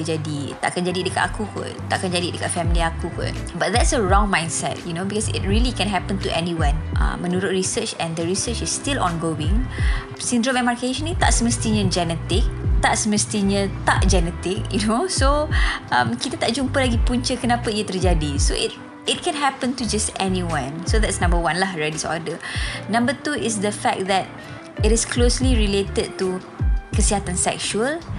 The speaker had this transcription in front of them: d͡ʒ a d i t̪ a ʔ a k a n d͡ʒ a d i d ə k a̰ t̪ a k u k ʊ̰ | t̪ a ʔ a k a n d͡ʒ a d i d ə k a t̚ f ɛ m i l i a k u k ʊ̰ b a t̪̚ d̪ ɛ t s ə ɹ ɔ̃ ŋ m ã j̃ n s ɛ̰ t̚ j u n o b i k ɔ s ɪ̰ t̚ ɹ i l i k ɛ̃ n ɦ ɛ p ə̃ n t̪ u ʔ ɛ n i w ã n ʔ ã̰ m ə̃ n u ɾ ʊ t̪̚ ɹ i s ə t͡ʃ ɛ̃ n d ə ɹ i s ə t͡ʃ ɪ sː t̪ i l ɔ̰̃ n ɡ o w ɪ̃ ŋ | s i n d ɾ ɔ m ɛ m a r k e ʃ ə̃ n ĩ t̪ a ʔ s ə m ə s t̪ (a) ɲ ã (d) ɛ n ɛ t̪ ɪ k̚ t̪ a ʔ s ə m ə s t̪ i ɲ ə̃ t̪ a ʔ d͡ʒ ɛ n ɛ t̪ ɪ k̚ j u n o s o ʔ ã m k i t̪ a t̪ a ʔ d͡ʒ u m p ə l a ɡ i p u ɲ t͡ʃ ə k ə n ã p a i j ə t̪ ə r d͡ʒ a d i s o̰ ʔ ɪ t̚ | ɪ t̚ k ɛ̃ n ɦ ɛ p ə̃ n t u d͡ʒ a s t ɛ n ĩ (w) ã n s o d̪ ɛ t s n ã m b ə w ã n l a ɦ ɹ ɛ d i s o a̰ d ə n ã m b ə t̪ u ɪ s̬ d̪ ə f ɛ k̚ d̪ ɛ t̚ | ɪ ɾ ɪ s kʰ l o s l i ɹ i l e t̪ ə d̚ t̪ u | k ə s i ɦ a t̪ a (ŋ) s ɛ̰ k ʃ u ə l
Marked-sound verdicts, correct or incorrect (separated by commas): incorrect, incorrect, correct, incorrect